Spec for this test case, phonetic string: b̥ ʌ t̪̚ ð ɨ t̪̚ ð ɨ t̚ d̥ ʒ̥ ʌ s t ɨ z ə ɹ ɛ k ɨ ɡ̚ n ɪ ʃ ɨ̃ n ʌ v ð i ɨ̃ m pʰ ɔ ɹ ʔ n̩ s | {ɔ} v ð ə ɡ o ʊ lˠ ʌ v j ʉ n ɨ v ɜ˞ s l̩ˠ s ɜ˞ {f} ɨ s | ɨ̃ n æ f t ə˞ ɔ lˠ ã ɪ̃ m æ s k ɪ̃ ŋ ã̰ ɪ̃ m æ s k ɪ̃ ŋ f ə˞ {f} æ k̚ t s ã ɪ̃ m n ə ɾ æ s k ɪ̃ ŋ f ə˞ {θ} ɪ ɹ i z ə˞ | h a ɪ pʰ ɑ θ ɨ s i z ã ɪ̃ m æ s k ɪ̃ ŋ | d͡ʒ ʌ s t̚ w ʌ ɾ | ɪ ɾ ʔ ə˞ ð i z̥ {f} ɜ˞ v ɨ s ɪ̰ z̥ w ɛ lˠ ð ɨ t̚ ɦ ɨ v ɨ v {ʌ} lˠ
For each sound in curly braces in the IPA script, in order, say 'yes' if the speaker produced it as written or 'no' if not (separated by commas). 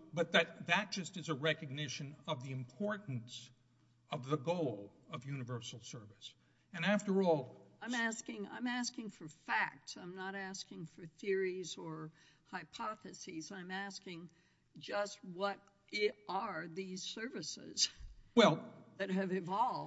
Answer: no, no, yes, yes, no, no